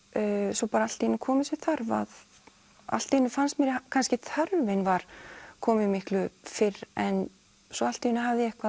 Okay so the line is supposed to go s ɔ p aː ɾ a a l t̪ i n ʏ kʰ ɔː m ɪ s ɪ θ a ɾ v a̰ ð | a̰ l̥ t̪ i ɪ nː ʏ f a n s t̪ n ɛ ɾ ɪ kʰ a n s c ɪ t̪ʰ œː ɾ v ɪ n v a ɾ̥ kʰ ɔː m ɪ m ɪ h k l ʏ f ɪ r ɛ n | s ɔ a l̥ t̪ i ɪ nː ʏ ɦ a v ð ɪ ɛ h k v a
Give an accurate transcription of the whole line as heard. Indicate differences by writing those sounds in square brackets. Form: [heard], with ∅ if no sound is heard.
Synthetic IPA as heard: s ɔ p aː ɾ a a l t̪ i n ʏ kʰ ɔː m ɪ s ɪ θ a ɾ v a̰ ð | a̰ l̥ t̪ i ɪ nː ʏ f a n s t̪ [m] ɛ ɾ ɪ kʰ a n s c ɪ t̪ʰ [œ] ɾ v ɪ n v a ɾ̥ kʰ ɔː m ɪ m ɪ h k l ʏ f ɪ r ɛ n | s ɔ a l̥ t̪ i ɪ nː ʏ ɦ a v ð ɪ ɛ h k v a